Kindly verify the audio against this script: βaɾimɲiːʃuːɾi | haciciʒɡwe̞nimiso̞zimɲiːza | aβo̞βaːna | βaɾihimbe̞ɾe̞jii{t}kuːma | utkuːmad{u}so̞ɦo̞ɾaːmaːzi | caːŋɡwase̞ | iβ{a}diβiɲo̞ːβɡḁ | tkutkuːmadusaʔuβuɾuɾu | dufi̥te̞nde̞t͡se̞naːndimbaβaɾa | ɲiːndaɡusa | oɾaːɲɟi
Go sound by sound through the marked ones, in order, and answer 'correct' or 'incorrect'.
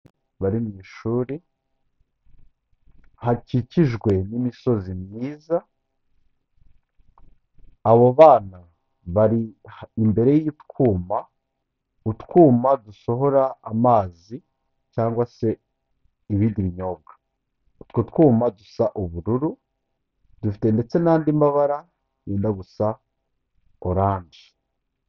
correct, correct, incorrect: i

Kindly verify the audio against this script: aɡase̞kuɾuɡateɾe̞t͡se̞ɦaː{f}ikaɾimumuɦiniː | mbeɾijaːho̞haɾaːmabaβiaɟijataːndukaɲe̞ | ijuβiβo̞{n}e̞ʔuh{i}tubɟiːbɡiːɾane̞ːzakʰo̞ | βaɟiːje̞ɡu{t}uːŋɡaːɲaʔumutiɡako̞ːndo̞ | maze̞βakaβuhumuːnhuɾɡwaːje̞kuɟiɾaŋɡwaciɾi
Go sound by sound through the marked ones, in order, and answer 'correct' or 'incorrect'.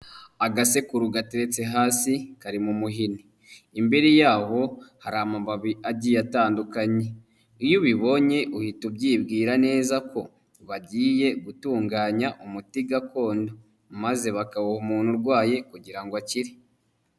incorrect: s, incorrect: ɲ, correct, correct

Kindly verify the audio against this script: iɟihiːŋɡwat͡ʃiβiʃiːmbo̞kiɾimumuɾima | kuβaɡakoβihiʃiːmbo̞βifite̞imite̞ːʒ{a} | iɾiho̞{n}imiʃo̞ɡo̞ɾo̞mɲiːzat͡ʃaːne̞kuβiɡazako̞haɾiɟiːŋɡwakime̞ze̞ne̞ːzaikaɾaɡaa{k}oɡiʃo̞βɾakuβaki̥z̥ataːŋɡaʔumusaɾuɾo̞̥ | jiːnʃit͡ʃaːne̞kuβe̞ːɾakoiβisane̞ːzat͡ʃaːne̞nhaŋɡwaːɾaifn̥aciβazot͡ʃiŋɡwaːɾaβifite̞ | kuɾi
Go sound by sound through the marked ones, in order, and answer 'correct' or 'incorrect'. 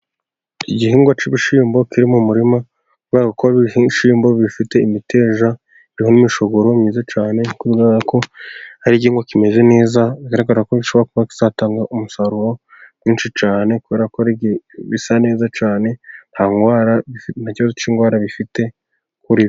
correct, correct, correct

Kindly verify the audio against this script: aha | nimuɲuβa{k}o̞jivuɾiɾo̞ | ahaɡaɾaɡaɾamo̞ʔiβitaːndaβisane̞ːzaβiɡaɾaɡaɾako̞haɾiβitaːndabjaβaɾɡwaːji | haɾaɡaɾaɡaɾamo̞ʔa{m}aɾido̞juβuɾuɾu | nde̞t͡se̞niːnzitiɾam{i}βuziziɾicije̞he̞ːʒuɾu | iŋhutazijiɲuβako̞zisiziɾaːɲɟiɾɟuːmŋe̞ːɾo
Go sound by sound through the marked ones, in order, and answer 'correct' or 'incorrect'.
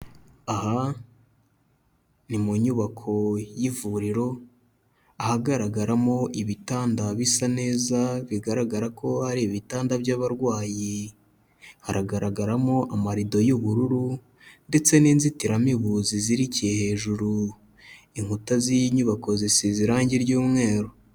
incorrect: kʰ, correct, correct

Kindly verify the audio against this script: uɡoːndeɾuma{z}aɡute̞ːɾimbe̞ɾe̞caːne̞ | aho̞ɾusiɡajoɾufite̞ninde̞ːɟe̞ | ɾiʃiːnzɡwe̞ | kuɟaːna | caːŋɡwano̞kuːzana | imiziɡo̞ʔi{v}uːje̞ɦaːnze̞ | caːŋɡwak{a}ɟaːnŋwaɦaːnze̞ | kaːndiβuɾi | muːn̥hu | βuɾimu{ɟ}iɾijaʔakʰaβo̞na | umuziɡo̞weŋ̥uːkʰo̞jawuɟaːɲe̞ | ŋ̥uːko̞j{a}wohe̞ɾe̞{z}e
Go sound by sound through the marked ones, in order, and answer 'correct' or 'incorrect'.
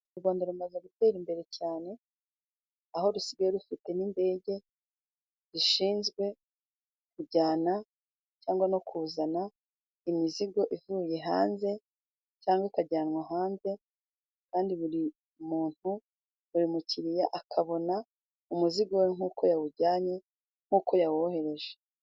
correct, correct, correct, incorrect: c, correct, incorrect: ʒ

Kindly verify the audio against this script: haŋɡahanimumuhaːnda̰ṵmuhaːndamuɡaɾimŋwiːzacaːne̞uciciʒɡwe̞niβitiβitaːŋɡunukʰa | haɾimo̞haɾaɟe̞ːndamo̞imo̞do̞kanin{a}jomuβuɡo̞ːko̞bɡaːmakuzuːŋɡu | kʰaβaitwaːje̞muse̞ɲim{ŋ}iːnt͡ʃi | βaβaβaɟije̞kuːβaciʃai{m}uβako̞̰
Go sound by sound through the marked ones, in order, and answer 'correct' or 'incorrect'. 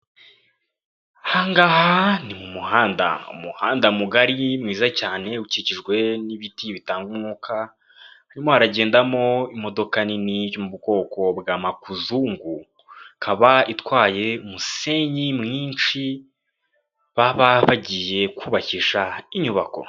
incorrect: i, correct, incorrect: ɲ

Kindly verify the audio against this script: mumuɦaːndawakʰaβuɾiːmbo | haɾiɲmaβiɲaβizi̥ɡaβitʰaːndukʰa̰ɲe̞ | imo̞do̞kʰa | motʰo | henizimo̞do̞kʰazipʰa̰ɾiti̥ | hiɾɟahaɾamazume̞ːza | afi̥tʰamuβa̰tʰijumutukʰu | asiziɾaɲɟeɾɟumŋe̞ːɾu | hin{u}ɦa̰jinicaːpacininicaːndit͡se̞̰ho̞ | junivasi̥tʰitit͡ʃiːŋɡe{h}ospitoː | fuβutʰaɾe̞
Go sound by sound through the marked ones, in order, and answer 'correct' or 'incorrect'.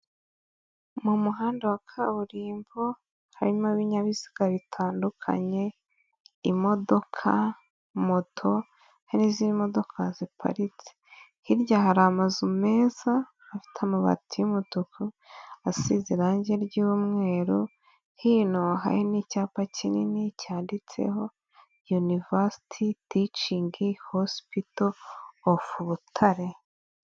incorrect: o, correct

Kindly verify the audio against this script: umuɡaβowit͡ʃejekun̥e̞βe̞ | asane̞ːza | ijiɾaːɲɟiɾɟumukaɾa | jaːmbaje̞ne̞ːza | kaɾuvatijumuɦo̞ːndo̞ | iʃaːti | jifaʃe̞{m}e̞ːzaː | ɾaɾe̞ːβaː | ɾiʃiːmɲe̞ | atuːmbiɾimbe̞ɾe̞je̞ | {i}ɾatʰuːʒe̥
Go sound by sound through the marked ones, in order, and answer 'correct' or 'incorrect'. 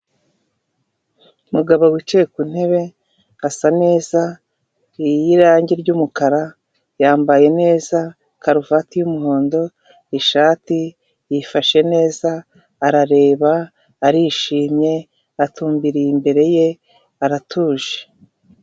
incorrect: n, incorrect: a

